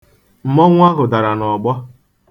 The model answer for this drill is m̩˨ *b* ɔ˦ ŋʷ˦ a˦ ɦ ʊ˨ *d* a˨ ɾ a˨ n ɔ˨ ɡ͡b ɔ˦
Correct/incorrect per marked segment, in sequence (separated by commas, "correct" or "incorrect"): incorrect, correct